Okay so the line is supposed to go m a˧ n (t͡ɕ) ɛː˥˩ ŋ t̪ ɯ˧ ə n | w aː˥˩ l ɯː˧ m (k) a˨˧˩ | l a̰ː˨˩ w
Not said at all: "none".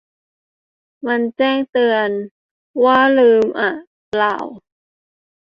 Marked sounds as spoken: t͡ɕ, ʔ

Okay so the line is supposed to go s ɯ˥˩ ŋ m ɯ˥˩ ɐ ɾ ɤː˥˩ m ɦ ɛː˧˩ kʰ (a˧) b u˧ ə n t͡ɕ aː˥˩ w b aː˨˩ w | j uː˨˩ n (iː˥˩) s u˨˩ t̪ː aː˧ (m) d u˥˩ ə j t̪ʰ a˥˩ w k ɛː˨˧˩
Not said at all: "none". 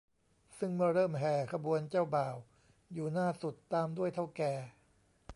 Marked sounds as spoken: a˧, aː˥˩, m

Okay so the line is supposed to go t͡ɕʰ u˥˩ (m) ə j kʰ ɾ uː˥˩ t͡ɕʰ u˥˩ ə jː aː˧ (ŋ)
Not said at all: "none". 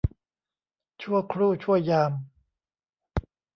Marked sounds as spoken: none, m

